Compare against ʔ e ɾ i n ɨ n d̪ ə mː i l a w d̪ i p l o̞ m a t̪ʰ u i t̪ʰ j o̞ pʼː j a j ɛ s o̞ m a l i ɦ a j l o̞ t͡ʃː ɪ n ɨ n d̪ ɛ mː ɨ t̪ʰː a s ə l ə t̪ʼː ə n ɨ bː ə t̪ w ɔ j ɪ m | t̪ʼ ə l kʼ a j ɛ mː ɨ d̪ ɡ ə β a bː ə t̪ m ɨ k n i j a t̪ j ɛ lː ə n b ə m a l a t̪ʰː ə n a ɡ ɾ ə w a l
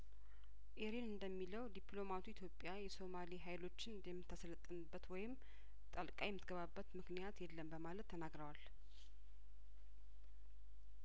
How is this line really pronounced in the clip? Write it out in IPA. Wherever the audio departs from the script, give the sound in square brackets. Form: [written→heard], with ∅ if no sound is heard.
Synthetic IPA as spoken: ʔ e ɾ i n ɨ n d̪ ə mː i l [a→ə] w d̪ i p l o̞ m a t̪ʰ u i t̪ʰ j o̞ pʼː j a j ɛ s o̞ m a l i ɦ a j l o̞ t͡ʃː ɪ n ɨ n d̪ ɛ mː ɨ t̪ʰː a s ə l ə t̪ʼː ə n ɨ bː ə t̪ w ɔ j ɪ m | t̪ʼ ə l kʼ a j ɛ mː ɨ [d̪→t̪] ɡ ə β a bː ə t̪ m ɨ k n i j a t̪ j ɛ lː ə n b ə m a l [a→ə] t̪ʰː ə n a ɡ ɾ ə w a l